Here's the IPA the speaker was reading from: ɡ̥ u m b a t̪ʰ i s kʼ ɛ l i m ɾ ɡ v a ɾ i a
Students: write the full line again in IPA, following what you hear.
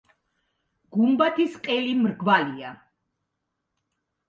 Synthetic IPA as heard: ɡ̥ u m b a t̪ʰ i s qʼ ɛ l i m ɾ ɡ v a l i a